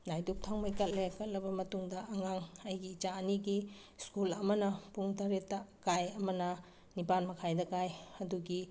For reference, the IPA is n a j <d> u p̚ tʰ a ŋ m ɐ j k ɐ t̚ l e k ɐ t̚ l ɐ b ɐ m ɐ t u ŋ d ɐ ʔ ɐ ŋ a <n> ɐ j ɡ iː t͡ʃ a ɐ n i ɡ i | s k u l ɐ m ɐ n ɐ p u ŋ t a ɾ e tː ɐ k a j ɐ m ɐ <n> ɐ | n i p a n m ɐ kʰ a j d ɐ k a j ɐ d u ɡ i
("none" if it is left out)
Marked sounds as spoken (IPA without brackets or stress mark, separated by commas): d, ŋ, n